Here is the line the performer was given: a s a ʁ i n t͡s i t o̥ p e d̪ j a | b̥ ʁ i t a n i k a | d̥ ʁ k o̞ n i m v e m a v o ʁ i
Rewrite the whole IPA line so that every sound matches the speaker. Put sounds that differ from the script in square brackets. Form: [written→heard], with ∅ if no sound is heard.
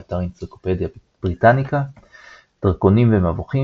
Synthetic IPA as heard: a [s→t] a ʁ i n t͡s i [t→k] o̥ p e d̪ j a | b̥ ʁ i t a n i k a | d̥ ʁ k o̞ n i m v e m a v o [ʁ→χ] i